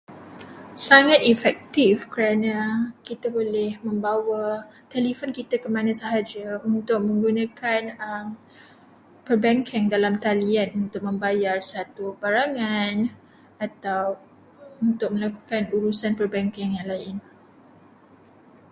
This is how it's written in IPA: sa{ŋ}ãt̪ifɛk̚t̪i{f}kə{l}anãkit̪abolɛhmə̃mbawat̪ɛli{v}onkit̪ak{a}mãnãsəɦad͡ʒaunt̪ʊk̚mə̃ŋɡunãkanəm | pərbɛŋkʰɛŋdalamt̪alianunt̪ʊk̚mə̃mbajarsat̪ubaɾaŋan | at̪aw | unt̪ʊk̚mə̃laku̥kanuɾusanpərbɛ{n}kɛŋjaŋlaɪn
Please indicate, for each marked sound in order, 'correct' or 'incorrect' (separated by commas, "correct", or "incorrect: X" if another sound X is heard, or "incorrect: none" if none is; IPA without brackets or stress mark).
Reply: correct, correct, incorrect: ɾ, incorrect: f, incorrect: ə, incorrect: ŋ